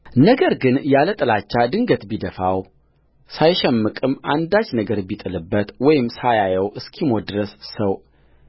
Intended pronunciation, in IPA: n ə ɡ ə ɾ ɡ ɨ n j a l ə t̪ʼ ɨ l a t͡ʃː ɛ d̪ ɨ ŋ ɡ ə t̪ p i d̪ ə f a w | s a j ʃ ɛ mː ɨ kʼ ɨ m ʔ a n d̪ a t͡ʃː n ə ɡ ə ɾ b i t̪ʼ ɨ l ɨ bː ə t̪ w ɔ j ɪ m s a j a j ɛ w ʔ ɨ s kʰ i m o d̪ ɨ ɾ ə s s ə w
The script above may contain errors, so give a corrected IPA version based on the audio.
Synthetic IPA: n ə ɡ ə ɾ ɡ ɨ n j a l ə t̪ʼ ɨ l a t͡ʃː a d̪ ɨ ŋ ɡ ə t̪ b i d̪ ə f a w | s a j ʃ ɛ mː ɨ kʼ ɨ m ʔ a n d̪ a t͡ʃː n ə ɡ ə ɾ b i t̪ʼ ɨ l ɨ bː ə t̪ w ɔ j ɪ m s a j a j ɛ w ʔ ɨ s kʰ i m o d̪ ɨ ɾ ə s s ə w